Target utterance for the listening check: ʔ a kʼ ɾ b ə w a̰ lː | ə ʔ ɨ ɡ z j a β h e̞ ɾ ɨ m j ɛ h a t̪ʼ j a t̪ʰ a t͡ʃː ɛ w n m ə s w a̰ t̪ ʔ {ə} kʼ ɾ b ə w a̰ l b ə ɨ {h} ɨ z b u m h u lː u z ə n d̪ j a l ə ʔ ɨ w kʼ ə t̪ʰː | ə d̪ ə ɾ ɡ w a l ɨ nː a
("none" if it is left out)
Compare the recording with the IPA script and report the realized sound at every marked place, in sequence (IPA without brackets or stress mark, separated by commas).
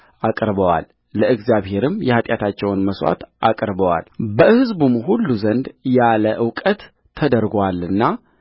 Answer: a, h